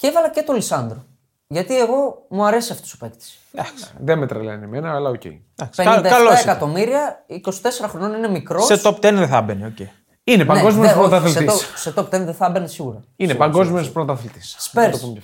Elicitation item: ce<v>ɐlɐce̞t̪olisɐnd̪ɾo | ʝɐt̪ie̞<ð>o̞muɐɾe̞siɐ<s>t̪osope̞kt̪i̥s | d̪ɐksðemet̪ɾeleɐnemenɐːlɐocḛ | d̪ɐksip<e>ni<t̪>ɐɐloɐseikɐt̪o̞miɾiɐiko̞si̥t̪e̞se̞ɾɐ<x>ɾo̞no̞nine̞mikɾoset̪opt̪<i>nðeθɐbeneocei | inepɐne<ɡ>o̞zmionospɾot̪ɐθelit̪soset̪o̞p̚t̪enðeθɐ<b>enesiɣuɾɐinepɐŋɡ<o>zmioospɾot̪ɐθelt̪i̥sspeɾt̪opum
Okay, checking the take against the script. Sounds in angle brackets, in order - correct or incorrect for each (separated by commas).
correct, incorrect, incorrect, correct, incorrect, correct, incorrect, correct, correct, correct